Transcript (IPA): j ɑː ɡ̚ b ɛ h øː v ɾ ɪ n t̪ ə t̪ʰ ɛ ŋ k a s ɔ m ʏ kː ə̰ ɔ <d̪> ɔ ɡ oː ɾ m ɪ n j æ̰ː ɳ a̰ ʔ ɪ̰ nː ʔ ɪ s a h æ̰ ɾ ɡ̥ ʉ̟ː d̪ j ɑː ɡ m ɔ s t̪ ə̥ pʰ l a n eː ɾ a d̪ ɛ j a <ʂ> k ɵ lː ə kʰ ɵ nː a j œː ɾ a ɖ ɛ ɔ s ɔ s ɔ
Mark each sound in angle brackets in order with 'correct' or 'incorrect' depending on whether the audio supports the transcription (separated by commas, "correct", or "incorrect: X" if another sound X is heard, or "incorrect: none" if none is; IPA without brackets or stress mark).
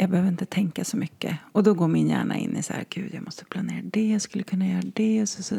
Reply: correct, incorrect: s